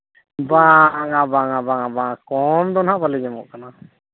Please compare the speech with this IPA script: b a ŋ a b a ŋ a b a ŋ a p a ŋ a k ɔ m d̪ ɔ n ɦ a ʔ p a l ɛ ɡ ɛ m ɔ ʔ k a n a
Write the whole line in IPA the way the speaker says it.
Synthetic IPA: b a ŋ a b a ŋ a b a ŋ a b a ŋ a k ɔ m d̪ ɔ n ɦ a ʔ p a l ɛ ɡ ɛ m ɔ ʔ k a n a